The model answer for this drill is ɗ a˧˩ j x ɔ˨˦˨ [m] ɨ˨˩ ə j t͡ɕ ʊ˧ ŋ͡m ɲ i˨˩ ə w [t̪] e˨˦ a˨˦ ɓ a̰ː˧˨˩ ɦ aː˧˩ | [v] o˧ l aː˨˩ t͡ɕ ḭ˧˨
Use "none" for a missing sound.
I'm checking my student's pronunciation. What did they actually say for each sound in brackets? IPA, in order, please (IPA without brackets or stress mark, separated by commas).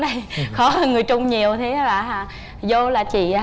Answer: ŋ, t̪ʰ, z